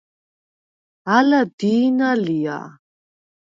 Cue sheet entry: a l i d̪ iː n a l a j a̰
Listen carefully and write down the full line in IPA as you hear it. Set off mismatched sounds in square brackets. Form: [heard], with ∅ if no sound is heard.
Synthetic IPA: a l [a] d̪ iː n a l [i] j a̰